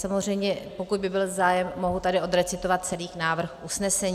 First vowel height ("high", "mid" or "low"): low